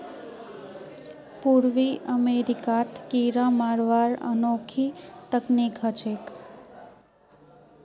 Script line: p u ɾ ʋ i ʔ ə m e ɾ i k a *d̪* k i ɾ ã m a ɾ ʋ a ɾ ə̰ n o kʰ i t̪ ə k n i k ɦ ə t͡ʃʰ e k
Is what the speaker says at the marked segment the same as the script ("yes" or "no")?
no